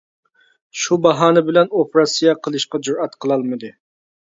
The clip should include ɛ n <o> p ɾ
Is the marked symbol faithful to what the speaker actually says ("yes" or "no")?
yes